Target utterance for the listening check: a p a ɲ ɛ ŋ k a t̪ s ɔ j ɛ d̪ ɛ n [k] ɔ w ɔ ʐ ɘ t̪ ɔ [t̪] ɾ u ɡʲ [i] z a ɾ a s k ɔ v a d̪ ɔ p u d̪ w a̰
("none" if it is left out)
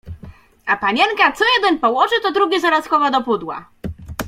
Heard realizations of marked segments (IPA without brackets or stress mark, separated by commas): p, d̪, ɛ